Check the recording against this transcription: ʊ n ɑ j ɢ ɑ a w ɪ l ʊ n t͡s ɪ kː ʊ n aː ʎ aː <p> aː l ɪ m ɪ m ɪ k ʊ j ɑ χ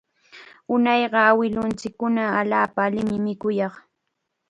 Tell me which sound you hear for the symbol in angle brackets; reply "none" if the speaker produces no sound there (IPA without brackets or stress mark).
p